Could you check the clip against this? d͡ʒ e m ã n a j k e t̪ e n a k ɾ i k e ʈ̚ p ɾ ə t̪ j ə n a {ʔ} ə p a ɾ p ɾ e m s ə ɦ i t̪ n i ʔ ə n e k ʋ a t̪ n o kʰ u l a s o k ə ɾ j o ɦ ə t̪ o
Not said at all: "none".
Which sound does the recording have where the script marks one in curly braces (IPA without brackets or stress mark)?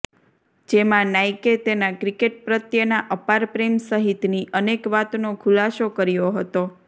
ʔ